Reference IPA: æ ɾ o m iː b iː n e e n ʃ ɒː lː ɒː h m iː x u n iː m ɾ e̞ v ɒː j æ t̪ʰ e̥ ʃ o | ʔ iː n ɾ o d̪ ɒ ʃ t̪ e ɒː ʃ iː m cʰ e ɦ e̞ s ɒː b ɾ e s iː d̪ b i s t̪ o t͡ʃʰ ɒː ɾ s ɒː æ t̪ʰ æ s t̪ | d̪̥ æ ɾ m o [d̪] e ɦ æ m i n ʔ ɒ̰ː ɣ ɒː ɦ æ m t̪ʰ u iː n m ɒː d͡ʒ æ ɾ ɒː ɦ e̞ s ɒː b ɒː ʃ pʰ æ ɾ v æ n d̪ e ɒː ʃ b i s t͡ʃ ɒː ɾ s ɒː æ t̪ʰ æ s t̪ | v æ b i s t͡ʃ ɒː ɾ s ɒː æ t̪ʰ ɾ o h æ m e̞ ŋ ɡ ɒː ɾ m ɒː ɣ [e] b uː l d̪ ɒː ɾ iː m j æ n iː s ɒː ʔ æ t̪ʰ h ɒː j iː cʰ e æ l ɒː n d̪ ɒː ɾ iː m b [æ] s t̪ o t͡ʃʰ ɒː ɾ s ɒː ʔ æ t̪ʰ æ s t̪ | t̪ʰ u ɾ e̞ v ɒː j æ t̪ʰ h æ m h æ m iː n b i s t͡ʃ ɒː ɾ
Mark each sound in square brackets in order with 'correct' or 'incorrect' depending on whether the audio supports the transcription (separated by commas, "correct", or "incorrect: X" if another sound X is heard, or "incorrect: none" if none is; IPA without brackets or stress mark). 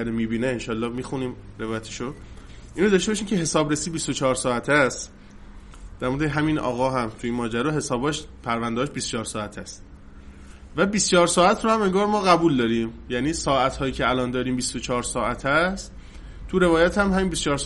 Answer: correct, incorrect: æ, incorrect: i